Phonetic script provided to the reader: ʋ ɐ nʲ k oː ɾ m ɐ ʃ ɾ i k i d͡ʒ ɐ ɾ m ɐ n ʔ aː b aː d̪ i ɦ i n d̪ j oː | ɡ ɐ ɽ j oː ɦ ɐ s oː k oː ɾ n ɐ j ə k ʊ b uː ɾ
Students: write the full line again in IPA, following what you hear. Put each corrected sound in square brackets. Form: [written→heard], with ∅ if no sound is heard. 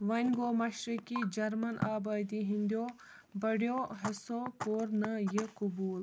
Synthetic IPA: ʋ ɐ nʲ [k→ɡ] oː [ɾ→∅] m ɐ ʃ ɾ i k i d͡ʒ ɐ ɾ m ɐ n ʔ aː b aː d̪ i ɦ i n d̪ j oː | [ɡ→b] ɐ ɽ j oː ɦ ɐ s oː k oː ɾ n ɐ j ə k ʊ b uː [ɾ→l]

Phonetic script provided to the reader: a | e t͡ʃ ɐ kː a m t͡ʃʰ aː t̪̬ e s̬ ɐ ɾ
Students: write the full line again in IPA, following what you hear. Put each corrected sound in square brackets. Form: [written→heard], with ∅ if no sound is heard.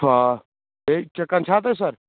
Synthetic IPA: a | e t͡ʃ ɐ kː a [m→n] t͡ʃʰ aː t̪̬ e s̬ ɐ ɾ

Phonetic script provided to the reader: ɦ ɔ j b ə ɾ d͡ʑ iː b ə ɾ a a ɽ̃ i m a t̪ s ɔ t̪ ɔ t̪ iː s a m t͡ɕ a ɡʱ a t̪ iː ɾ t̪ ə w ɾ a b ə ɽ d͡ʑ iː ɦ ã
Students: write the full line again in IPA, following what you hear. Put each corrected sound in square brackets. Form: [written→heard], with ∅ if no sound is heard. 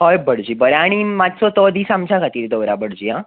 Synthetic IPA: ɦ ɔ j b ə [ɾ→ɽ] d͡ʑ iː b ə ɾ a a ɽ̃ i m a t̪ s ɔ t̪ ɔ [t̪→d̪] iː s a m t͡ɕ a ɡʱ a t̪ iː ɾ [t̪→d̪] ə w ɾ a b ə ɽ d͡ʑ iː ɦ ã

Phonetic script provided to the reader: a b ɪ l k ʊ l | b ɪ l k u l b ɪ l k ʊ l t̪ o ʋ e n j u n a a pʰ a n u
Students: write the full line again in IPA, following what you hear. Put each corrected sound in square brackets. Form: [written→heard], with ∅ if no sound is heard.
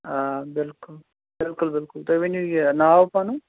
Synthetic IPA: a b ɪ l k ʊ l | b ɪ l k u l b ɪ l k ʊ l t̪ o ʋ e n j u n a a [pʰ→p] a n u

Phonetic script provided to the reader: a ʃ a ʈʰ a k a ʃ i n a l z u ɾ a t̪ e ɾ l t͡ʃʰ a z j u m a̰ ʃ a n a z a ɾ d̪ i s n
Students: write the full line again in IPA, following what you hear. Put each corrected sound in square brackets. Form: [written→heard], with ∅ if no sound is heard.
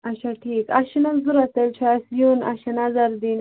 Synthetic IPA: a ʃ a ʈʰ [a→i] k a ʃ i n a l z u ɾ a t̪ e [ɾ→∅] l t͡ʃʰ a [z→s] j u [m→n] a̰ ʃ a n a z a ɾ d̪ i [s→∅] n

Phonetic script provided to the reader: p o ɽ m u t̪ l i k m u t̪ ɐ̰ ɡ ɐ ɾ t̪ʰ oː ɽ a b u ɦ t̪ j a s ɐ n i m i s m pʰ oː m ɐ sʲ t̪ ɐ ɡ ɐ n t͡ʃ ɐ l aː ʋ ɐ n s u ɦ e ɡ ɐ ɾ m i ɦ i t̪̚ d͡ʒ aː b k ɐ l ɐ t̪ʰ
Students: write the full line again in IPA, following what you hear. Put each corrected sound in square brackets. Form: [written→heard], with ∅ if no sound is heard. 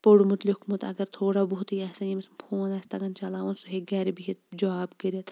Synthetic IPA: p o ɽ m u t̪ l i k m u t̪ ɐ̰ ɡ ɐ ɾ t̪ʰ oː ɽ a b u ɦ t̪ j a s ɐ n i m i s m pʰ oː [m→n] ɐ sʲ t̪ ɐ ɡ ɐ n t͡ʃ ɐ l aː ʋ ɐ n s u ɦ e ɡ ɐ ɾ [m→b] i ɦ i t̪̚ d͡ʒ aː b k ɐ [l→ɾ] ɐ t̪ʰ

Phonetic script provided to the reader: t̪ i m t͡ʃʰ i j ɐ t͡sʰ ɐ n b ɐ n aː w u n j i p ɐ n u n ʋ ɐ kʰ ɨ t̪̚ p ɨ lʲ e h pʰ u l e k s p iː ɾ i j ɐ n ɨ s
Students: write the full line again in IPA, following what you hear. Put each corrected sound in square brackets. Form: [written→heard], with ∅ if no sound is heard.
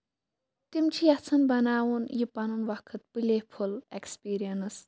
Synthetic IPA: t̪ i m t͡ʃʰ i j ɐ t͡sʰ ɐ n b ɐ n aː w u n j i p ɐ n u n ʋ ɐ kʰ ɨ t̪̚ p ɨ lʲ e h pʰ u l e k s p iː ɾ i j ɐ n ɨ s

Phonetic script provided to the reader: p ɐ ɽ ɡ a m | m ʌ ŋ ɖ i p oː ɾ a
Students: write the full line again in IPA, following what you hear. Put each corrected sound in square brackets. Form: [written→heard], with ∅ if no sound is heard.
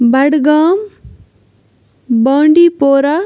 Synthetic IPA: [p→b] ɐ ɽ ɡ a m | [m→b] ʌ [ŋ→ɳ] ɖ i p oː ɾ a

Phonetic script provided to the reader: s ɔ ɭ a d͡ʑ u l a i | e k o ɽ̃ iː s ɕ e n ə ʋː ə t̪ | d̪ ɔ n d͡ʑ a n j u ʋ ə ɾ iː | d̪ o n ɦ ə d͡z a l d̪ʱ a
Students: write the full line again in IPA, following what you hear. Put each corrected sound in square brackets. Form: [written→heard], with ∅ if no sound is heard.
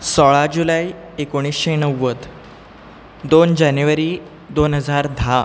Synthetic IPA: s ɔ ɭ a d͡ʑ u l a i | e k o ɽ̃ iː s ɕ e n ə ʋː ə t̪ | d̪ [ɔ→o] n d͡ʑ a n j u ʋ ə ɾ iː | d̪ o n ɦ ə d͡z a [l→ɾ] d̪ʱ a

